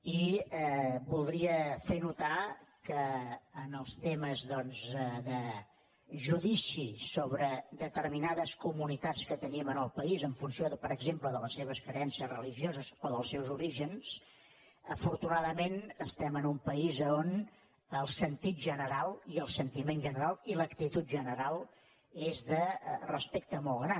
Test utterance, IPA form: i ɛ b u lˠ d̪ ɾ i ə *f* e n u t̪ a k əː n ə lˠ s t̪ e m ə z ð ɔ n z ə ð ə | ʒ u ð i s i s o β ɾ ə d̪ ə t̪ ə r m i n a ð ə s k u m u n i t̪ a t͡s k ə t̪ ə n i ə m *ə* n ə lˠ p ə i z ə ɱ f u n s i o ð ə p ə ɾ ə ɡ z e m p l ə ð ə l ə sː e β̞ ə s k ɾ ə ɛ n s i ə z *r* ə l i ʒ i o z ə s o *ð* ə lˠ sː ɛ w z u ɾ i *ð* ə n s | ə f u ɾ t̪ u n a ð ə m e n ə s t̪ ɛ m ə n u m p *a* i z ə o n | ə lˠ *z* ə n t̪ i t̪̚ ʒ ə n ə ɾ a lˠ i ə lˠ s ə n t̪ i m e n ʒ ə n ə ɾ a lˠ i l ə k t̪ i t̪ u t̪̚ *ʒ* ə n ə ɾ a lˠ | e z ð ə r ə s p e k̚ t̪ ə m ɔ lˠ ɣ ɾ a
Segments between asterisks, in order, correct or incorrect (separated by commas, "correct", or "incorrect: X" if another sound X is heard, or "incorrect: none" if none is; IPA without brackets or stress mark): correct, correct, correct, correct, incorrect: ʒ, incorrect: ə, incorrect: s, correct